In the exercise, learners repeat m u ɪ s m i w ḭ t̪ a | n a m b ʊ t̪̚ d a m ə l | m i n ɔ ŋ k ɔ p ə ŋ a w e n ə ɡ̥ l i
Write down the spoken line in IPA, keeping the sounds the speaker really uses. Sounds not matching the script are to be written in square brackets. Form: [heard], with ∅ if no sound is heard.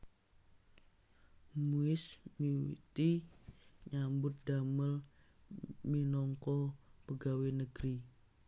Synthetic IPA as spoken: m u ɪ s m i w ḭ t̪ [i] | [ɲ] a m b ʊ t̪̚ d a m ə l | m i n ɔ ŋ k ɔ p ə [ɡ] a w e n ə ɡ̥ [ɾ] i